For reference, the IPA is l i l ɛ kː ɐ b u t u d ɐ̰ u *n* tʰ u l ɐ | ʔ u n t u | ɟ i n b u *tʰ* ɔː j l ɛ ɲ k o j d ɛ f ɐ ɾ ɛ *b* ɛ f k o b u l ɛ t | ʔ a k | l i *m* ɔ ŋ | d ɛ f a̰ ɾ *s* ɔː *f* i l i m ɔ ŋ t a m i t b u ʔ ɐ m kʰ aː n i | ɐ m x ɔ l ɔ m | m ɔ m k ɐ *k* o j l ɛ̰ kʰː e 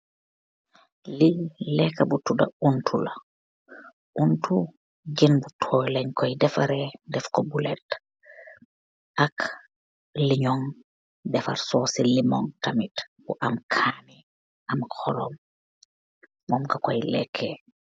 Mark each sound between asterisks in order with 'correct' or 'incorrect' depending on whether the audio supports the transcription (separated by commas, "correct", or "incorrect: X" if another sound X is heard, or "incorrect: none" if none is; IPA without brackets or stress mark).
correct, correct, incorrect: d, incorrect: ɲ, correct, incorrect: s, correct